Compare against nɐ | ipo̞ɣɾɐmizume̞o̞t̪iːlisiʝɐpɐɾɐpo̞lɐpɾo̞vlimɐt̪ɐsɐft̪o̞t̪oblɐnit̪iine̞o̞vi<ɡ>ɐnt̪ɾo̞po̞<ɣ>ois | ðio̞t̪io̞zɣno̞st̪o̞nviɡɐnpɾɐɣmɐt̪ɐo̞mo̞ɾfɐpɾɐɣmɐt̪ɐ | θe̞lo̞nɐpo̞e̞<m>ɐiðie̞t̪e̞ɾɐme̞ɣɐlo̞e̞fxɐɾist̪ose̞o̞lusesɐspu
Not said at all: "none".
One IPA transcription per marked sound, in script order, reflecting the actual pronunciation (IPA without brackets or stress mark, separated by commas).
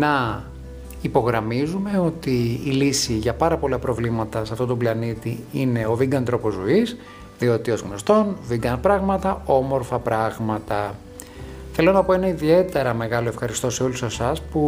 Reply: ɡ, z, n